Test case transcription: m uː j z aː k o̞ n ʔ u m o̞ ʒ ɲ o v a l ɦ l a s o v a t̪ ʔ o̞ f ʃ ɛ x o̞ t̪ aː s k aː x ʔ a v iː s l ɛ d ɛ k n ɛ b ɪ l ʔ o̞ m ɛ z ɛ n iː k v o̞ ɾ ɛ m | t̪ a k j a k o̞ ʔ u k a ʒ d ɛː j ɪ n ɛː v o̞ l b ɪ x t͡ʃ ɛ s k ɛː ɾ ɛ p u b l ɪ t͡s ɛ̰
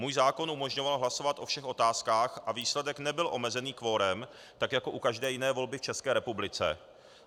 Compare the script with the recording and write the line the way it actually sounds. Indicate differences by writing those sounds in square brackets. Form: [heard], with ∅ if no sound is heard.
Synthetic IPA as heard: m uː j z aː k o̞ n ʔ u m o̞ ʒ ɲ o v a l ɦ l a s o v a t̪ ʔ o̞ f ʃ ɛ x o̞ t̪ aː s k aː x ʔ a v iː s l ɛ d ɛ k n ɛ b ɪ l ʔ o̞ m ɛ z ɛ n iː k v o̞ ɾ ɛ m | t̪ a k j a k o̞ ʔ u k a ʒ d ɛː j ɪ n ɛː v o̞ l b ɪ [f] t͡ʃ ɛ s k ɛː ɾ ɛ p u b l ɪ t͡s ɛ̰

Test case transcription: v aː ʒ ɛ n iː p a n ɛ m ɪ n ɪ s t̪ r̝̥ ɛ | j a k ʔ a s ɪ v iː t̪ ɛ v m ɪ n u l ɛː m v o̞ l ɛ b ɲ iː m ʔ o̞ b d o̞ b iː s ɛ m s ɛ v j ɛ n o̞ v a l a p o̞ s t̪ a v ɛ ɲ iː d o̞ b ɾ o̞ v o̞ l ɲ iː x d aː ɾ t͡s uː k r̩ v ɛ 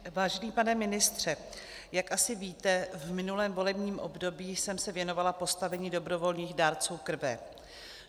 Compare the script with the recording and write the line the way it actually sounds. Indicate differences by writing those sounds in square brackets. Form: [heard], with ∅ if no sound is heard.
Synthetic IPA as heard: v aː ʒ ɛ n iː p a n ɛ m ɪ n ɪ s t̪ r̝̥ ɛ | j a k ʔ a s ɪ v iː t̪ ɛ v m ɪ n u l ɛː m v o̞ l ɛ b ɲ iː m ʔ o̞ b d o̞ b iː s ɛ m s ɛ v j ɛ n o̞ v a l a p o̞ s t̪ a v ɛ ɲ iː d o̞ b ɾ o̞ v o̞ l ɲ iː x d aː ɾ t͡s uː k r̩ v ɛ

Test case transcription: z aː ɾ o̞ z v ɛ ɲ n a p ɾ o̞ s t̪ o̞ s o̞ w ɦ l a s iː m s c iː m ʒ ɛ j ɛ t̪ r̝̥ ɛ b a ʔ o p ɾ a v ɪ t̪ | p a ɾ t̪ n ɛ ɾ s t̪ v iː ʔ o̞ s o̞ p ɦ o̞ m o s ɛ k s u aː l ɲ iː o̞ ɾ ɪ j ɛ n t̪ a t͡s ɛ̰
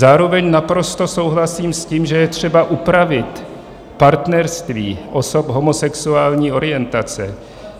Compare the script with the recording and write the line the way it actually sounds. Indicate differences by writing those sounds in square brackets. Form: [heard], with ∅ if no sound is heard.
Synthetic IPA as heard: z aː ɾ o̞ [∅] v ɛ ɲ n a p ɾ o̞ s t̪ o̞ s o̞ w ɦ l a s iː m s c iː m ʒ ɛ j ɛ t̪ r̝̥ ɛ b a ʔ [u] p ɾ a v ɪ t̪ | p a ɾ t̪ n ɛ ɾ s t̪ v iː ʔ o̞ s o̞ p ɦ o̞ m o s ɛ k s u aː l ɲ iː o̞ ɾ ɪ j ɛ n t̪ a t͡s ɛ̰

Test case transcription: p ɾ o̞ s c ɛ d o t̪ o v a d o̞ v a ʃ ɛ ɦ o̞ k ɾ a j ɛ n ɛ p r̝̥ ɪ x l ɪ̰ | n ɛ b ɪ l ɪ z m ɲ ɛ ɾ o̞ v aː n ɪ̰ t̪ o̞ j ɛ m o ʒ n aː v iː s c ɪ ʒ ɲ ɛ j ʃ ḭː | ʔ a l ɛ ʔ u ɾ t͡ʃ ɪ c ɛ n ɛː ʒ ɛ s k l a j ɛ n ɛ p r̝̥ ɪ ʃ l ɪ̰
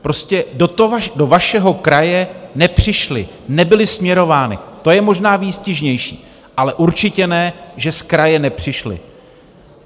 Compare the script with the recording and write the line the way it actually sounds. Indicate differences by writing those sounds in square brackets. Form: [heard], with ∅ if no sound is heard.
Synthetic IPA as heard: p ɾ o̞ s c ɛ d o t̪ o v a d o̞ v a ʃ ɛ ɦ o̞ k ɾ a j ɛ n ɛ p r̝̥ ɪ [ʃ] l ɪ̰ | n ɛ b ɪ l ɪ [s] m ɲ ɛ ɾ o̞ v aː n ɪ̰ t̪ o̞ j ɛ m o ʒ n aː v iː s c ɪ ʒ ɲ ɛ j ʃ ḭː | ʔ a l ɛ ʔ u ɾ t͡ʃ ɪ c ɛ n ɛː ʒ ɛ s k [ɾ] a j ɛ n ɛ p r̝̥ ɪ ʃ l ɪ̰

